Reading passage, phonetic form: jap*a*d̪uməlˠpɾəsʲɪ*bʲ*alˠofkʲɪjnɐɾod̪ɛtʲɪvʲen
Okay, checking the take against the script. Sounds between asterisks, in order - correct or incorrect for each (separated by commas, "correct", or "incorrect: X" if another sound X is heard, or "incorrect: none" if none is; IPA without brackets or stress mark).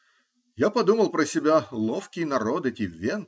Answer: incorrect: ɐ, correct